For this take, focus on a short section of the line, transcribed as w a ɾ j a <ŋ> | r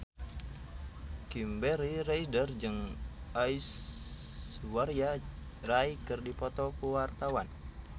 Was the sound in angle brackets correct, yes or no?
no